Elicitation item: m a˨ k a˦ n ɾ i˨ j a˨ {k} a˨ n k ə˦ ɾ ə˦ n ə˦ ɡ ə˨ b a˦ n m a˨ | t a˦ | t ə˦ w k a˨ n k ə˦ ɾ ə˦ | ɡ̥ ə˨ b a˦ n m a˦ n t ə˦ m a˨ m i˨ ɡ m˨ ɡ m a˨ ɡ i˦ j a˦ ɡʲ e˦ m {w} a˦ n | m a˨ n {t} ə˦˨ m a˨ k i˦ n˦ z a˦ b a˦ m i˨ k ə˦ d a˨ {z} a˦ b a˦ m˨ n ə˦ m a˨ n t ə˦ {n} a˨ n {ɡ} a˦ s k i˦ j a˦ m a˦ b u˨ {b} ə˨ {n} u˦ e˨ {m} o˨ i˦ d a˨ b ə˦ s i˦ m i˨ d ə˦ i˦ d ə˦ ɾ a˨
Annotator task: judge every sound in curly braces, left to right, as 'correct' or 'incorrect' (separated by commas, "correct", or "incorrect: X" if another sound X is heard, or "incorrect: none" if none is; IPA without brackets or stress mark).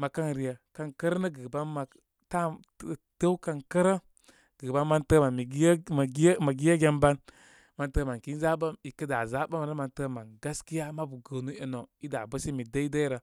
correct, incorrect: b, correct, correct, incorrect: m, correct, incorrect: ɡ, correct, incorrect: n